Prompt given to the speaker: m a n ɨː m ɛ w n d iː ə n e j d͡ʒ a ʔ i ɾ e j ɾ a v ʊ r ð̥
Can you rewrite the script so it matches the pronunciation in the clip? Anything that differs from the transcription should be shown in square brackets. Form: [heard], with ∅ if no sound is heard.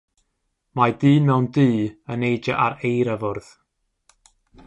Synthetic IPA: m a [d] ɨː m ɛ w n d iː ə n e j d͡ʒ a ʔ [a] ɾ e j ɾ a v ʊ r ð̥